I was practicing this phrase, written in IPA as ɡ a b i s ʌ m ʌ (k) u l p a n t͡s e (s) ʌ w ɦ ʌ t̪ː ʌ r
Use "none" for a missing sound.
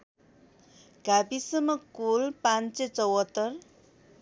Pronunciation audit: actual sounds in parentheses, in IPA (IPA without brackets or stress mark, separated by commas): k, t͡s